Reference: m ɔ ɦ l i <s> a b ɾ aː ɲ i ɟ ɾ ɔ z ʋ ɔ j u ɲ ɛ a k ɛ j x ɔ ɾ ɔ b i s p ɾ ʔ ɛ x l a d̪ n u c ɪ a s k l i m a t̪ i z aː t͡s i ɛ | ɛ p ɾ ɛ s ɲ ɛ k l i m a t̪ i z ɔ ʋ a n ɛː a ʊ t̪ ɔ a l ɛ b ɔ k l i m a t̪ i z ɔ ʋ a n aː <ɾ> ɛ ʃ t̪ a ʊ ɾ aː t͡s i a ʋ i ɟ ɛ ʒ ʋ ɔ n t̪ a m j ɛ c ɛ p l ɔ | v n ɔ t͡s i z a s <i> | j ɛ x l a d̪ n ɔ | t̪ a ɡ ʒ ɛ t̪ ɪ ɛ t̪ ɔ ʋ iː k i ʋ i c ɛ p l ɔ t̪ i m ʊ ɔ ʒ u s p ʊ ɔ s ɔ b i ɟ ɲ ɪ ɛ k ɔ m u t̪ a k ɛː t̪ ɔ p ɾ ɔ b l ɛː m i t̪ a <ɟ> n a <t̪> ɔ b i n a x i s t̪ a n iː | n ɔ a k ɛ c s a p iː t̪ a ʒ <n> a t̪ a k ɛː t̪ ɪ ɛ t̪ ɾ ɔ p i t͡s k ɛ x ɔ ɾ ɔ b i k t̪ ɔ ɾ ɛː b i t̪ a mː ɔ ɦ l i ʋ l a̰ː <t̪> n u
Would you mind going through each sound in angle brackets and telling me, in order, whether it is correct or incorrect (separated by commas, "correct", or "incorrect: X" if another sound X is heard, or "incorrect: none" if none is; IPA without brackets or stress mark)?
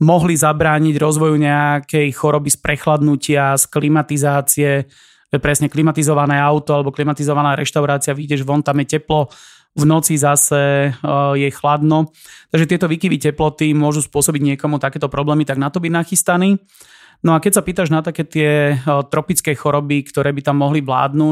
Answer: incorrect: z, correct, incorrect: ɛ, incorrect: ɡ, correct, correct, incorrect: d̪